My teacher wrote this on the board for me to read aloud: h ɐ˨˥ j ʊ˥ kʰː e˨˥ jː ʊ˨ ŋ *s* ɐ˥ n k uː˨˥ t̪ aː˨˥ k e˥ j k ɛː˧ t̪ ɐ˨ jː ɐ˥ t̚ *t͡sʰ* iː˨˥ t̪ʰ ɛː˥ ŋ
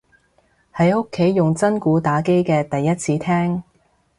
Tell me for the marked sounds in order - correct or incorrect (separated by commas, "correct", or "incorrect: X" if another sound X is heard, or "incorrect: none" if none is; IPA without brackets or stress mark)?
incorrect: t͡s, correct